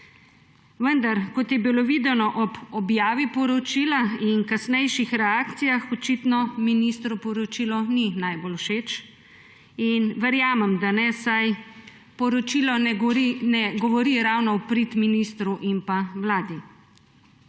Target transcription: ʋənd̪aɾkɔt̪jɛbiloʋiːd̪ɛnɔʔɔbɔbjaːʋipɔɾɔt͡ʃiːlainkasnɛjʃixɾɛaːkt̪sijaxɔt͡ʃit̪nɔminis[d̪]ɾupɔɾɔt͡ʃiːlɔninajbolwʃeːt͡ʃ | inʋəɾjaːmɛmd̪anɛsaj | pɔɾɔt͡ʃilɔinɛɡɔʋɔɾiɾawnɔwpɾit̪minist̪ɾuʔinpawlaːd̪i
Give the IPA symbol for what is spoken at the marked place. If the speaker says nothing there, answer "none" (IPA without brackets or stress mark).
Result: t̪